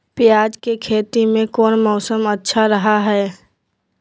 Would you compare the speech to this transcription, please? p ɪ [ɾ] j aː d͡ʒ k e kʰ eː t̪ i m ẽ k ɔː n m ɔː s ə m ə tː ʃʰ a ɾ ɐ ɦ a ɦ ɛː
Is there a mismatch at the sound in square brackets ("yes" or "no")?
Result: yes